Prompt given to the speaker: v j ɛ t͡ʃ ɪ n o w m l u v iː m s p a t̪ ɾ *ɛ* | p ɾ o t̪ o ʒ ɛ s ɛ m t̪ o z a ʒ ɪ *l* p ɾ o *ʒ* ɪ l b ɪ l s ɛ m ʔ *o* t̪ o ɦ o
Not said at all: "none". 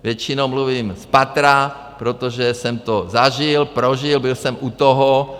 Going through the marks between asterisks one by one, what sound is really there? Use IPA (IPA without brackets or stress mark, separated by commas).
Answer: a, l, ʒ, u